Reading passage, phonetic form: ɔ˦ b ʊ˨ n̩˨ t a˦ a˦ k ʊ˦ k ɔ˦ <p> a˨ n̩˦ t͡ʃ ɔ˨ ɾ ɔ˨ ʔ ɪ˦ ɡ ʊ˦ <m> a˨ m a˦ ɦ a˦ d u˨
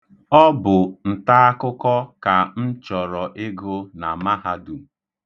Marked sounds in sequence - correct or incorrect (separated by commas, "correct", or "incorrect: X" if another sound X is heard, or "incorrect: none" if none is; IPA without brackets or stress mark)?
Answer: incorrect: k, incorrect: n